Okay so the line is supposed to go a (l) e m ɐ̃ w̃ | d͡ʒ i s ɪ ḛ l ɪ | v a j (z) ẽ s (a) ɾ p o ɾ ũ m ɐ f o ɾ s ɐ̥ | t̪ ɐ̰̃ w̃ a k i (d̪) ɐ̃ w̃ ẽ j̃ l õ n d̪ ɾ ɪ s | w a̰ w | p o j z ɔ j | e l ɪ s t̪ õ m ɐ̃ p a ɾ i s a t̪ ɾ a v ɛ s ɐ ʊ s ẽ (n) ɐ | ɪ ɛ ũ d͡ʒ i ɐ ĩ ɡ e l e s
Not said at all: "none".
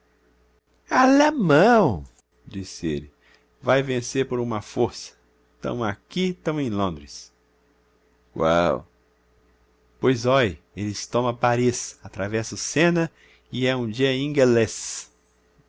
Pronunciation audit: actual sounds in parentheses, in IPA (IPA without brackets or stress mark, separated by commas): l, v, e, t̪, n